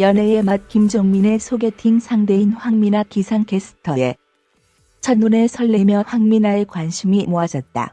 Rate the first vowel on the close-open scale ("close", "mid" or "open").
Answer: mid